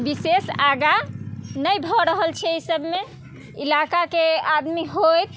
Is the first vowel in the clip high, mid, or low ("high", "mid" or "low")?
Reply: high